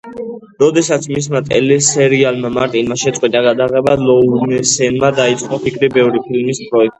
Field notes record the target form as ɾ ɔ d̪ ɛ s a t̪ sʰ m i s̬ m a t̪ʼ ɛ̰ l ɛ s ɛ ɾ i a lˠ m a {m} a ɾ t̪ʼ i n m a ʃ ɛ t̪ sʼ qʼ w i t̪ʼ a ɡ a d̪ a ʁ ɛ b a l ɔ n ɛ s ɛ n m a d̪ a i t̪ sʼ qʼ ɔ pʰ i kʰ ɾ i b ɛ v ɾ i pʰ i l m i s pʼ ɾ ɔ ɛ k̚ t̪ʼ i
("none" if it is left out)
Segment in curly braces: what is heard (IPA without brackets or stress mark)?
m